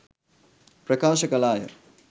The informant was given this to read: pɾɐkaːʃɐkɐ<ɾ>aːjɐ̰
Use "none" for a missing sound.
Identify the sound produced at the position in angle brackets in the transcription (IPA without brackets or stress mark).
l